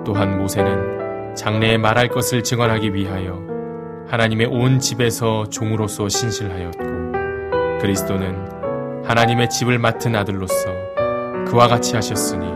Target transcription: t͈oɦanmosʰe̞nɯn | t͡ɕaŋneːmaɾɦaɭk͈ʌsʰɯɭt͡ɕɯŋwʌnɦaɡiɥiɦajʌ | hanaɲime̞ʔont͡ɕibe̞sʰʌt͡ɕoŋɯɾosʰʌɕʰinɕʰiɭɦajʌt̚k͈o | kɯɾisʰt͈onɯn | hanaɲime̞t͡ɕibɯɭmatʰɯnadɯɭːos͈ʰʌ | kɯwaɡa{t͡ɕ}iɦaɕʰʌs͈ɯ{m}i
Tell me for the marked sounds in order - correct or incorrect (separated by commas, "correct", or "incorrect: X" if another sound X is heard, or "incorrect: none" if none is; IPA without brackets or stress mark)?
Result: incorrect: t͡ɕʰ, incorrect: ɲ